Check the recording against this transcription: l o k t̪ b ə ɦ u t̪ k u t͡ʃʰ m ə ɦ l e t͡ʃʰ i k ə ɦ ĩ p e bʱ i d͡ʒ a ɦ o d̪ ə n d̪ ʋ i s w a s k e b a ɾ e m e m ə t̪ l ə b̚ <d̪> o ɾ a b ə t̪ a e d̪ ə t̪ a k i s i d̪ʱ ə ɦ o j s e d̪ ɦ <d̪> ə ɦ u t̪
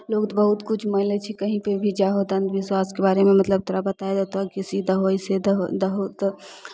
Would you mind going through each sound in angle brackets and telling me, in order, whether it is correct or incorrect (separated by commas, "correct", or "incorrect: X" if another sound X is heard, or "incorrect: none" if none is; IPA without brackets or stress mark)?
incorrect: t̪, correct